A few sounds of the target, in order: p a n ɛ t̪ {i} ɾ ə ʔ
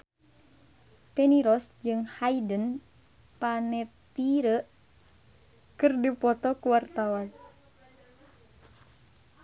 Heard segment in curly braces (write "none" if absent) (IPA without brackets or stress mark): i